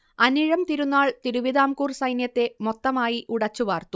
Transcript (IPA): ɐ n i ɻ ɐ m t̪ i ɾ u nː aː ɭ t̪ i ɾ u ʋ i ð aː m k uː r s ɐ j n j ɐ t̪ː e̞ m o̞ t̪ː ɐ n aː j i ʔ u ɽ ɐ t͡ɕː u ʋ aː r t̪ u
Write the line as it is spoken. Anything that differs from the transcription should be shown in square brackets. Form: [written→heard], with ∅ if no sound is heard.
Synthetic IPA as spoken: ɐ n i ɻ ɐ m t̪ i ɾ u nː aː ɭ t̪ i ɾ u ʋ i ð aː m k uː r s ɐ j n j ɐ t̪ː e̞ m o̞ t̪ː ɐ [n→m] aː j i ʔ u ɽ ɐ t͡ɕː u ʋ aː r t̪ u